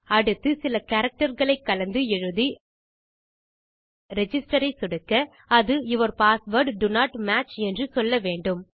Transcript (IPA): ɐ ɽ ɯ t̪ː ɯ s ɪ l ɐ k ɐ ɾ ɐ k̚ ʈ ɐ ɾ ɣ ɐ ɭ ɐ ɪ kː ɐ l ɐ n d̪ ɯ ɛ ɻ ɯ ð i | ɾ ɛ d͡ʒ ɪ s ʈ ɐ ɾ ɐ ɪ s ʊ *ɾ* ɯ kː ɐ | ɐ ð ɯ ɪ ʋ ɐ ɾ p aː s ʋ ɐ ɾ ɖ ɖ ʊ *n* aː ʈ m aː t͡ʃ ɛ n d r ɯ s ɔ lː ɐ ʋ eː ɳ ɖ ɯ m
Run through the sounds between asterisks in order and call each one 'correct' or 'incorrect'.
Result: incorrect: ɽ, correct

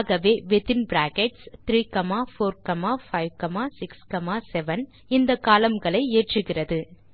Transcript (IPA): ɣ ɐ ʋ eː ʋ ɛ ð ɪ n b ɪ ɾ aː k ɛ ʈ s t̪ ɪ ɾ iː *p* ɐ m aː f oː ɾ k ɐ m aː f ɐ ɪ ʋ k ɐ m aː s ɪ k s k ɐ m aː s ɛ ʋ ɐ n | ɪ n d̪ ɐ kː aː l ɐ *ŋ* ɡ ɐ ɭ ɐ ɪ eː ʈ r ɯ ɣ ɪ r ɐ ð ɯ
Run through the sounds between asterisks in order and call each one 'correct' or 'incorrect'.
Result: incorrect: k, incorrect: m

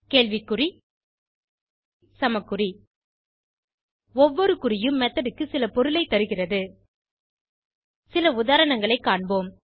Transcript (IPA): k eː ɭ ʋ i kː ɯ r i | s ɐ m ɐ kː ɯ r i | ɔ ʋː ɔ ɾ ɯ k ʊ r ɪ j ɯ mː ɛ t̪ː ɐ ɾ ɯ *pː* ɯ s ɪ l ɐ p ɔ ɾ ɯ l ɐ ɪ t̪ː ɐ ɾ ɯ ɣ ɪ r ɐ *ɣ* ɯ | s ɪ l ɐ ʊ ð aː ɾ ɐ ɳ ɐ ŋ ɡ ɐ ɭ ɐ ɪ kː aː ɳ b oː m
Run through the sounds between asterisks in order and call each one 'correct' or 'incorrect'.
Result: incorrect: kː, incorrect: ð

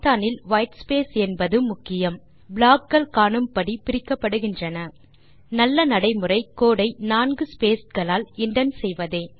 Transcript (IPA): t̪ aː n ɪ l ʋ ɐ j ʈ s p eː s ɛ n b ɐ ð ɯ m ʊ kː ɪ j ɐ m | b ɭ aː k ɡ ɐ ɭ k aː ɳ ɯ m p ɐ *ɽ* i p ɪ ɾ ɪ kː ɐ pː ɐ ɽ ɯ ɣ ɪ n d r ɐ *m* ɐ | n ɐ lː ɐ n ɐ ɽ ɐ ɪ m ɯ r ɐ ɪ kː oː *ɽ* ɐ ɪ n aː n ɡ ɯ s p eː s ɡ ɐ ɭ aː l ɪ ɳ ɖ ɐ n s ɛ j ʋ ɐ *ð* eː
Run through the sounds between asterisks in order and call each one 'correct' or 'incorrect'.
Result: correct, incorrect: n, correct, correct

